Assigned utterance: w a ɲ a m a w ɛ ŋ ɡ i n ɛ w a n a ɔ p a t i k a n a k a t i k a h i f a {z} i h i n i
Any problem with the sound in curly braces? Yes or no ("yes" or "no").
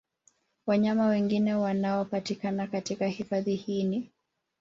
yes